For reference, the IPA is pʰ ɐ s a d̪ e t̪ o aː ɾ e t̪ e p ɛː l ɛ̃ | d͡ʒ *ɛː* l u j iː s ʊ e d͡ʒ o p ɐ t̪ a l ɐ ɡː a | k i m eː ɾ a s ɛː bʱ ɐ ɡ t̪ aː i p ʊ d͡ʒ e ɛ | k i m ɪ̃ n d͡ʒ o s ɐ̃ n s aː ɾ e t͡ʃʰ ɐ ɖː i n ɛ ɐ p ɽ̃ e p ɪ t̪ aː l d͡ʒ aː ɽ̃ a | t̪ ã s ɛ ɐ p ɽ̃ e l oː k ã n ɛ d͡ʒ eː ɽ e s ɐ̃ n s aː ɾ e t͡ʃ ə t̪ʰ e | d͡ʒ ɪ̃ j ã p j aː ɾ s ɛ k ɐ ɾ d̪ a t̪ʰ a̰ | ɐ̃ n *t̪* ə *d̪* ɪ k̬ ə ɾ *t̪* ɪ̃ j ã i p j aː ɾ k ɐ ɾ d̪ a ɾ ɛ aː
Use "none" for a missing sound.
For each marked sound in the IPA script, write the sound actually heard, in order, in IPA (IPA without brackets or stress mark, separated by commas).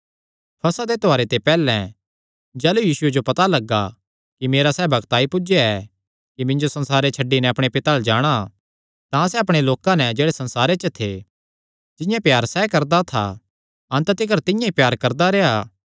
ɛː, t̪, t̪, t̪